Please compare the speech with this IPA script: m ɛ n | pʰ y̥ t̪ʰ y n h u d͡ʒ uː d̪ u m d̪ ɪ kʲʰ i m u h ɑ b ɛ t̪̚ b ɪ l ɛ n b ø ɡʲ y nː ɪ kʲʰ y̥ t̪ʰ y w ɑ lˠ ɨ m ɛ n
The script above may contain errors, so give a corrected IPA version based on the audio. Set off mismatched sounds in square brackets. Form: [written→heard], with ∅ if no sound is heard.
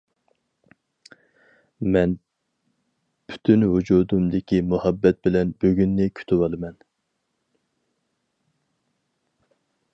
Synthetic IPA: m ɛ n | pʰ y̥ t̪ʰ y n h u d͡ʒ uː d̪ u m d̪ ɪ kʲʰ i m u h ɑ [b→bː] ɛ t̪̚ b ɪ l ɛ n b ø ɡʲ y nː ɪ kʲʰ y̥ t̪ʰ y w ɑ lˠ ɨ m ɛ n